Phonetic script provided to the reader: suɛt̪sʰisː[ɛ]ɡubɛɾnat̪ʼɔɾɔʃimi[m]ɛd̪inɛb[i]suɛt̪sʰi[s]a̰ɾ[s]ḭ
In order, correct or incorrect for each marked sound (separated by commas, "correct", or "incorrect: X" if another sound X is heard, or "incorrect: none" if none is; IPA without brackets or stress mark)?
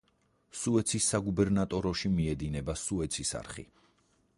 incorrect: a, incorrect: none, incorrect: a, correct, incorrect: χ